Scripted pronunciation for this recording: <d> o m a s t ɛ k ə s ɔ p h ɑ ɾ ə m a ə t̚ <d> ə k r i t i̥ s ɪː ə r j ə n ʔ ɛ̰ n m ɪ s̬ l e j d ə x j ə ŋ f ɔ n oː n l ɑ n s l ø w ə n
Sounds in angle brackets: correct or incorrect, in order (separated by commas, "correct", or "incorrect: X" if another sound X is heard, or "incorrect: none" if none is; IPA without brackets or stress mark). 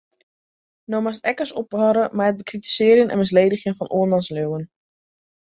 incorrect: n, incorrect: b